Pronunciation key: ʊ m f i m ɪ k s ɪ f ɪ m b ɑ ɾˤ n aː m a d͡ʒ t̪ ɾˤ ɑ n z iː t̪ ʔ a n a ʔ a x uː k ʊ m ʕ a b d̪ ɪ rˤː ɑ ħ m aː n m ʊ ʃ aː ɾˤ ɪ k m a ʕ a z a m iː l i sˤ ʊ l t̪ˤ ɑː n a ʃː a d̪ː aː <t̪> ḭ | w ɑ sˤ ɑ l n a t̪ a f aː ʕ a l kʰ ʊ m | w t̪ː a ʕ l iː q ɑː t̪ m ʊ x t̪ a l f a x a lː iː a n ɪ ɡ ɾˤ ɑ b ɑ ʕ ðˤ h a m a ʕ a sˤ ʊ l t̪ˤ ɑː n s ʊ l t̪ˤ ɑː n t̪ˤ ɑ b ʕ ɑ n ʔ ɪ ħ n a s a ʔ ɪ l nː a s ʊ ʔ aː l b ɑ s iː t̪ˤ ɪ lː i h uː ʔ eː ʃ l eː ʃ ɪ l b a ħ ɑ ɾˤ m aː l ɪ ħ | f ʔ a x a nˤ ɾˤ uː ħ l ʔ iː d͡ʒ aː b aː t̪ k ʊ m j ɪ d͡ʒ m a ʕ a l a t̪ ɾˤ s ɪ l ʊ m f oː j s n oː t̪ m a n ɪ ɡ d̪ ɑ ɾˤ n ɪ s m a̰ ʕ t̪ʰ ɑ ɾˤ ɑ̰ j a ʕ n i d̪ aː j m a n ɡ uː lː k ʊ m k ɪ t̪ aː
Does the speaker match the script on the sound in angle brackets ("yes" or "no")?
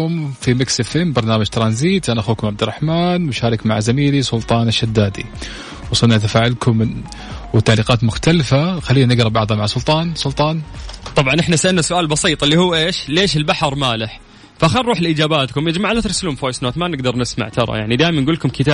no